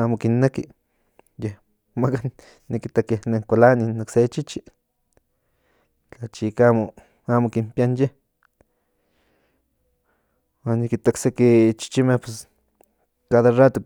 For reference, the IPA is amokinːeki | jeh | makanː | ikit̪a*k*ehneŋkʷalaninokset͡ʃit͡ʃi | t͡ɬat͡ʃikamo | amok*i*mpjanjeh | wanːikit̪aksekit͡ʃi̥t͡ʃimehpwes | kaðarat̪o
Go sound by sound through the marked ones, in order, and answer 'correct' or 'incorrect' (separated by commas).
correct, correct